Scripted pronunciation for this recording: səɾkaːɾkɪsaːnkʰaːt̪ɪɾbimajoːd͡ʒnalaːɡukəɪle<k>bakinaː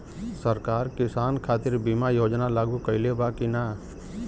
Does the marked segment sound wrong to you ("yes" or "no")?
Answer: yes